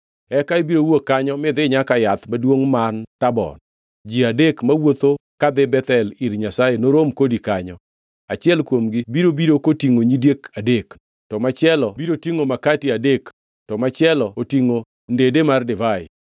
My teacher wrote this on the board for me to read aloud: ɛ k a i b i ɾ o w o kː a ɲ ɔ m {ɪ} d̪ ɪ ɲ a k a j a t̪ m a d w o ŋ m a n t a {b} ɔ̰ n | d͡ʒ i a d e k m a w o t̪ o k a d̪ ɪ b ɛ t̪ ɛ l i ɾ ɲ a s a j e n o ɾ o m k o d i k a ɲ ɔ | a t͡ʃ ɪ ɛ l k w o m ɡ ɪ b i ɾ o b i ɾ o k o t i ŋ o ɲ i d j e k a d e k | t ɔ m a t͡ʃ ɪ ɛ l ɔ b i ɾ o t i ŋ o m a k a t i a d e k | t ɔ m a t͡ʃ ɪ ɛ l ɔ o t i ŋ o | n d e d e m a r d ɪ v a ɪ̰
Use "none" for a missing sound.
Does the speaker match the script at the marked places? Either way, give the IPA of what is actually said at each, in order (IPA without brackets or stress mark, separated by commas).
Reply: ɪ, b